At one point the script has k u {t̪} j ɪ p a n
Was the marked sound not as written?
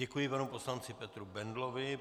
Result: yes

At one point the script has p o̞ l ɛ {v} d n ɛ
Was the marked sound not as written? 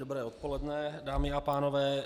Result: yes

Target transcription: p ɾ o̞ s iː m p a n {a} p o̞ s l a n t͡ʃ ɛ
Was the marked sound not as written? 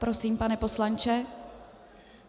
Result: yes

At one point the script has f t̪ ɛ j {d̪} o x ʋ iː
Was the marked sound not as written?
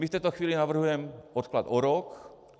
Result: yes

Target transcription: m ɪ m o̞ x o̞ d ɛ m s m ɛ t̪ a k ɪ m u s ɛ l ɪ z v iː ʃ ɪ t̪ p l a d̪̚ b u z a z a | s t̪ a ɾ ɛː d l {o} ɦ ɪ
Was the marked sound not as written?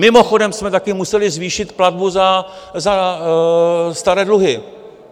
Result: yes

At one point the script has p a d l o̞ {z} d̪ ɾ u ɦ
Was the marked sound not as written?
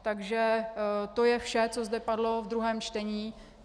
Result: yes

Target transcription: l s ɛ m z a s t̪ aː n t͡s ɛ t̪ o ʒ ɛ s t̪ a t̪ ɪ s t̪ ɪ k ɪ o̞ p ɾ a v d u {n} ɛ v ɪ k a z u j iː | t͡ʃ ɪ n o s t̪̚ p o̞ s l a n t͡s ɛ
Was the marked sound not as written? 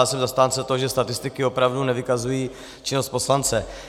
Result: no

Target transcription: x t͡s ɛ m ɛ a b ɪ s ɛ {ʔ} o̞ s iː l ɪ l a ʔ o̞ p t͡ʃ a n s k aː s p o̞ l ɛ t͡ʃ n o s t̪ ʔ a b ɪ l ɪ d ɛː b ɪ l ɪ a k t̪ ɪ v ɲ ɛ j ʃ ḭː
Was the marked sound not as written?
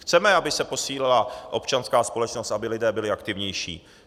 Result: yes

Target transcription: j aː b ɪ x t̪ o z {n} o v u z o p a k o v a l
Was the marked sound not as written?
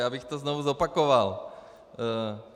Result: no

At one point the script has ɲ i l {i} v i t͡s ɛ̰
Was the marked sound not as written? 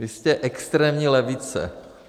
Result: yes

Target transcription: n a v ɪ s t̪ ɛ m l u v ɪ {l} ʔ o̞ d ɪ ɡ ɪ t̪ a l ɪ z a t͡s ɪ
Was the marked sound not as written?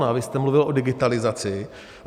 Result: no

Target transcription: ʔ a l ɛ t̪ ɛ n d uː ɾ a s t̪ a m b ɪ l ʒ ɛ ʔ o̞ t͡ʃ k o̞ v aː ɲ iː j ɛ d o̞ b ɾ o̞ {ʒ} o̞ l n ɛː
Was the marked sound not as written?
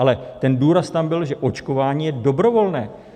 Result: yes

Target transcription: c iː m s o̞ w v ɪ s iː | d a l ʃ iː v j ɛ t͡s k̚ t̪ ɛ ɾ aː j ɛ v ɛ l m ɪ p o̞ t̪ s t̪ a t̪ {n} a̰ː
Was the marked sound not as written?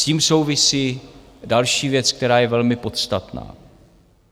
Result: no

